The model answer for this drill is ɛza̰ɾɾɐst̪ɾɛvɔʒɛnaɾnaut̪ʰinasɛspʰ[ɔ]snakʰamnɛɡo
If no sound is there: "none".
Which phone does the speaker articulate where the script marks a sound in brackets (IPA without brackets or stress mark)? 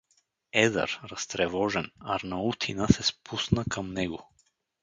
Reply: u